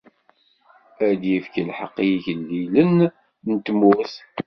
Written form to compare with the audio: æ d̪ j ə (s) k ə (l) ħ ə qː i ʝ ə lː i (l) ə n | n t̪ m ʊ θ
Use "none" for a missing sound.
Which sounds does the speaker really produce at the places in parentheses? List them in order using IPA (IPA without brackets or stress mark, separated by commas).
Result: f, l, l